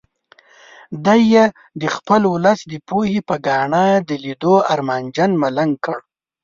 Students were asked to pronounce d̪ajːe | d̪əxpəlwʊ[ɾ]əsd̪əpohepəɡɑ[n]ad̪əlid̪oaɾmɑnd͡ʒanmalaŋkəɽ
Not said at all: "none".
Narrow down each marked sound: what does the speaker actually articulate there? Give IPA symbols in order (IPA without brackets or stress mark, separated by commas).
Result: l, ɳ